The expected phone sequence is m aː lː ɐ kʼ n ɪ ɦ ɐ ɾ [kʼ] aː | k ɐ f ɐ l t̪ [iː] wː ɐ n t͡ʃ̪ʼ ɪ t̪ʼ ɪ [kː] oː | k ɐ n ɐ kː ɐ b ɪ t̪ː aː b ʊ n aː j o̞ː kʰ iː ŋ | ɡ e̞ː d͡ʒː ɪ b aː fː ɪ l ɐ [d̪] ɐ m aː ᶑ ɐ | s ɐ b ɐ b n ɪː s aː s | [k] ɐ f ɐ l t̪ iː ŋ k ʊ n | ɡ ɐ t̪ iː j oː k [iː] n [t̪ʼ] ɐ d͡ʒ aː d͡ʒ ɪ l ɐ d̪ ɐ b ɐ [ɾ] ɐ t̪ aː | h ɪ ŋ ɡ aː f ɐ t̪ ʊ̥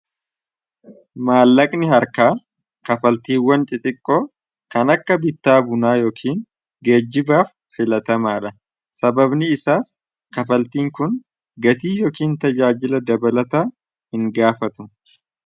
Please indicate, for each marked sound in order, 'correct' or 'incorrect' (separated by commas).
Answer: incorrect, correct, incorrect, incorrect, correct, correct, incorrect, incorrect